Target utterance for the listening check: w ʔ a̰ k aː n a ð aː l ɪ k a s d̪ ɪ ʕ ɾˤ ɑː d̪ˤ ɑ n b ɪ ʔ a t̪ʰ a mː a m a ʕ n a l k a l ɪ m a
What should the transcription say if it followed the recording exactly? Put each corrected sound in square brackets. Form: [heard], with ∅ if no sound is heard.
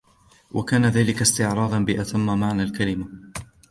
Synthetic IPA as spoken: w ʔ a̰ k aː n a ð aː l ɪ k a s [t̪] ɪ ʕ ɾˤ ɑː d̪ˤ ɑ n b ɪ ʔ a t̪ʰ a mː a m a ʕ n a l k a l ɪ m a